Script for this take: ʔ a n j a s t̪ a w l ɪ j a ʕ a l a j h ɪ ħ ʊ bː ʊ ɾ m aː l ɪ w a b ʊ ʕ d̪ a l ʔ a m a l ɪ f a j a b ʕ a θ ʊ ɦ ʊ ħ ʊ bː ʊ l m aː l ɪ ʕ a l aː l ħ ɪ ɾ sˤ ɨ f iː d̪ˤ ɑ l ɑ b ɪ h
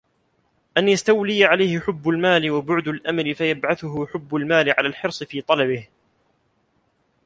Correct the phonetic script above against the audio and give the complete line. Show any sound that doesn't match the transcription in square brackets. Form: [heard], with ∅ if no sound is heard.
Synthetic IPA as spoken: ʔ a n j a s t̪ a w l ɪ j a ʕ a l a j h ɪ ħ ʊ bː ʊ [l] m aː l ɪ w a b ʊ ʕ d̪ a l ʔ a m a l ɪ f a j a b ʕ a θ ʊ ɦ ʊ ħ ʊ bː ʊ l m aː l ɪ ʕ a l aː l ħ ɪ ɾ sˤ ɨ f iː [t̪ˤ] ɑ l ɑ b ɪ h